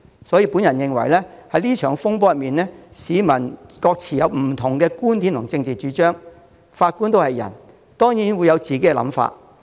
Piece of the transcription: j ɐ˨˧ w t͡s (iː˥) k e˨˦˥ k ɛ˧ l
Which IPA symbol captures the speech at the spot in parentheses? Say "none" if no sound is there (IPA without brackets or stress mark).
iː˨˩